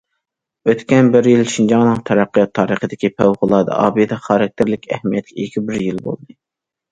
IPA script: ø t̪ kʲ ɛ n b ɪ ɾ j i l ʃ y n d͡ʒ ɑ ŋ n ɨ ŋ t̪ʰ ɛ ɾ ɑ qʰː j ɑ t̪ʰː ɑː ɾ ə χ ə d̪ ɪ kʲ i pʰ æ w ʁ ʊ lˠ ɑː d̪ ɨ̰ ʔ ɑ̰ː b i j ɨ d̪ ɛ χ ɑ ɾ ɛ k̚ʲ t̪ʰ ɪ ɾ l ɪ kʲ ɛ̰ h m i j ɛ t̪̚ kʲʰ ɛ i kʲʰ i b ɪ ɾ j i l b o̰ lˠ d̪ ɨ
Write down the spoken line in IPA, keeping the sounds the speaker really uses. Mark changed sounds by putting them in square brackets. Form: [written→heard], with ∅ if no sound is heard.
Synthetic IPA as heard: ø t̪ kʲ ɛ n b ɪ ɾ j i l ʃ [y→i] n d͡ʒ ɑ ŋ n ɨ ŋ t̪ʰ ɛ ɾ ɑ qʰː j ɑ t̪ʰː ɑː ɾ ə χ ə d̪ ɪ kʲ i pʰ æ w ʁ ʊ lˠ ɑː d̪ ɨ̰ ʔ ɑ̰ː b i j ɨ d̪ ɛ χ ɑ ɾ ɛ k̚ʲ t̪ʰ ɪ ɾ l ɪ kʲ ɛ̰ h m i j ɛ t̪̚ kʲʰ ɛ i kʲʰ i b ɪ ɾ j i l b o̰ lˠ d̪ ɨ